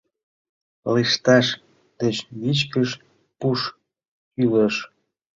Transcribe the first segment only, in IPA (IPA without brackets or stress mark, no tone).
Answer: l